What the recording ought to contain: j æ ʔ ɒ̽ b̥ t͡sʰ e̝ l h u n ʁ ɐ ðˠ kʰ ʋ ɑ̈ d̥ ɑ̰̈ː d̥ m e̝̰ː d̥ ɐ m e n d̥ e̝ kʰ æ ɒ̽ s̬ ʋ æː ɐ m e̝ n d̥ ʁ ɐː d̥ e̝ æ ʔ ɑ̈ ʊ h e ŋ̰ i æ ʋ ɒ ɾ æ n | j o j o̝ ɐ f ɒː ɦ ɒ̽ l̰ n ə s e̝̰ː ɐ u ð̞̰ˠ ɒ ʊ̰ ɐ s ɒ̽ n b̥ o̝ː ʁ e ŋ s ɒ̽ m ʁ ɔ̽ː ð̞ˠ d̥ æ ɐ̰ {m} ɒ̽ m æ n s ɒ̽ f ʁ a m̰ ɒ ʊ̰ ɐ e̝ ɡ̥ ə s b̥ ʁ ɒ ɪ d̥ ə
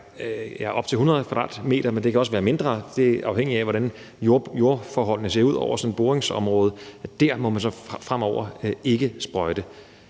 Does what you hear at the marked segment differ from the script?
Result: no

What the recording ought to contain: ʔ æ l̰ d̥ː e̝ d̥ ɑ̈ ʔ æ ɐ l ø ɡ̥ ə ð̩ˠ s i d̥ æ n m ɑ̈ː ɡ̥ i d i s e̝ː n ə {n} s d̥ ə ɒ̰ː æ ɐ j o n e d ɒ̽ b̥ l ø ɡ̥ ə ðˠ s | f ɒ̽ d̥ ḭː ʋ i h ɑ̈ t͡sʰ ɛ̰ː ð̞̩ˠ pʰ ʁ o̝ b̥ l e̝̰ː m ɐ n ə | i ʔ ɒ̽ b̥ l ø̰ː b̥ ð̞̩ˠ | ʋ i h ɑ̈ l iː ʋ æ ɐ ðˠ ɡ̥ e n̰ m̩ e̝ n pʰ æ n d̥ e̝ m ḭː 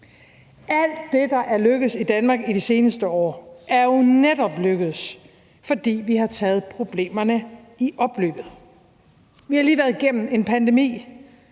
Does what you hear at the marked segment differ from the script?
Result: yes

